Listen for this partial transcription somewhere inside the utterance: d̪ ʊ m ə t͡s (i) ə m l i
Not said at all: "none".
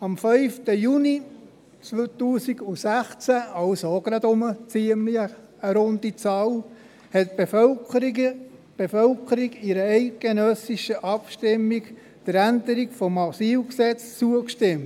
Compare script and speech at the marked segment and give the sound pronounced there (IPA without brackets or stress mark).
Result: i